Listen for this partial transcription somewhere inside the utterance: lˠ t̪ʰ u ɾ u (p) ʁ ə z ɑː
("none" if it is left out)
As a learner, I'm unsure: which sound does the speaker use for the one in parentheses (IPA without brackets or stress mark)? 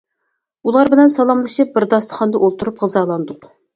p